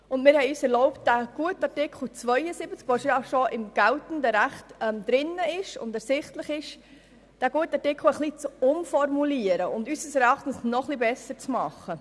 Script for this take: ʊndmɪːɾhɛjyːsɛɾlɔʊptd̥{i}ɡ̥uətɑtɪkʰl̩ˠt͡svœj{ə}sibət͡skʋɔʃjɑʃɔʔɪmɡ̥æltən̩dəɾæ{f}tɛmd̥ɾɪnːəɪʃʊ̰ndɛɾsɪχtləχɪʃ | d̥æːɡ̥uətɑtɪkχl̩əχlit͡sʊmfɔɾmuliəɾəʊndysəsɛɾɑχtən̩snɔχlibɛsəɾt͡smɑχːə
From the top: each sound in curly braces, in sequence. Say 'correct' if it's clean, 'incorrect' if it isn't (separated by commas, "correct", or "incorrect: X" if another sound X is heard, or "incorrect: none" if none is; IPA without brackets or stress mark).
incorrect: æ, correct, incorrect: χ